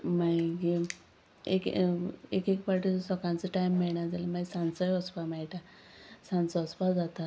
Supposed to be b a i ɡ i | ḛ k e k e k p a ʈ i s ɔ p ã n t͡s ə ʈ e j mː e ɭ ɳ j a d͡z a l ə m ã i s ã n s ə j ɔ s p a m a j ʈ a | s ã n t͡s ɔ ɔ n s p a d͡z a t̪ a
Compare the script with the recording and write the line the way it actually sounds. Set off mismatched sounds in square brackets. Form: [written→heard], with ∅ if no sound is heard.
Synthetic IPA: [b→m] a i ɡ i | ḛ k e k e k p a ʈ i s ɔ [p→k] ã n t͡s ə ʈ [e→a] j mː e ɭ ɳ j a d͡z a l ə m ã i s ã n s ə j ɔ s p a m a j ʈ a | s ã n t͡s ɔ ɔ [n→∅] s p a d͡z a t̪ a